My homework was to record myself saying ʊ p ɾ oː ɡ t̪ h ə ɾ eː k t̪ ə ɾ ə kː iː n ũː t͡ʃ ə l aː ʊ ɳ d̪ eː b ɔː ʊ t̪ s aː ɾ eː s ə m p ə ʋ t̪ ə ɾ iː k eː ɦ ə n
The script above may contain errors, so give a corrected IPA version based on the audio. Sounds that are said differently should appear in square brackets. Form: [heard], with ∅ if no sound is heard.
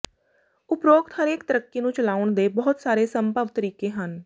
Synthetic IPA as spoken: ʊ p ɾ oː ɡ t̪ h ə ɾ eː k t̪ ə ɾ ə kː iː n ũː t͡ʃ ə l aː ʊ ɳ d̪ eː b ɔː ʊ t̪ s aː ɾ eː s ə m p ə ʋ t̪ ə ɾ iː k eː ɦ ə n